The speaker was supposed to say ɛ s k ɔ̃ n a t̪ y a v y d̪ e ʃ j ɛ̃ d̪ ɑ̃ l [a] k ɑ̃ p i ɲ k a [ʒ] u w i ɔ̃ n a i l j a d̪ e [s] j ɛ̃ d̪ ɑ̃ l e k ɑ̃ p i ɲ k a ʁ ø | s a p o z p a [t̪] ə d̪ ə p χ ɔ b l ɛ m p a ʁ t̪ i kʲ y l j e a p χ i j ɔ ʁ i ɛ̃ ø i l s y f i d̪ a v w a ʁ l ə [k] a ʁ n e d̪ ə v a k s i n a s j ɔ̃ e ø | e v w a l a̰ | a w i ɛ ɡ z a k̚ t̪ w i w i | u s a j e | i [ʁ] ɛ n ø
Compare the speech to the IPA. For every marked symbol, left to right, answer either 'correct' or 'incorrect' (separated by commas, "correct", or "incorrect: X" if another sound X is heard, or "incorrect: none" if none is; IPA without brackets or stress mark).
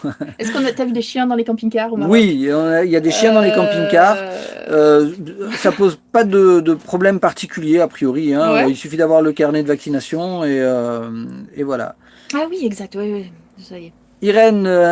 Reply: incorrect: e, incorrect: ʁ, incorrect: ʃ, incorrect: d̪, correct, correct